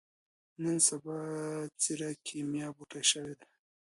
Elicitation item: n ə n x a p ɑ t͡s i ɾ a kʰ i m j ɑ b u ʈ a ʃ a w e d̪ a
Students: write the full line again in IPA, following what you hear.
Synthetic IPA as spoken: n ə n s a b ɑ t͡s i ɾ a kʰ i m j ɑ b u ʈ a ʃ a w e d̪ a